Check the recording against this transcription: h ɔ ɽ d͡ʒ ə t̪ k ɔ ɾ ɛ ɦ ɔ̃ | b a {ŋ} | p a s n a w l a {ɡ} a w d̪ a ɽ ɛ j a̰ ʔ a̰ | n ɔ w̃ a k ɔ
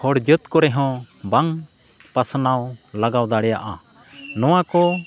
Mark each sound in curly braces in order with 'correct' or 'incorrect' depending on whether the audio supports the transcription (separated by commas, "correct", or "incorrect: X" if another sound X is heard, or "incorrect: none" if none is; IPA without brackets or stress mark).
correct, correct